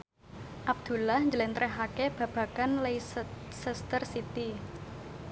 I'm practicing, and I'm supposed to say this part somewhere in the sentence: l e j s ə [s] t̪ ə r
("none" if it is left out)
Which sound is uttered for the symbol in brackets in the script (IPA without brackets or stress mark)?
s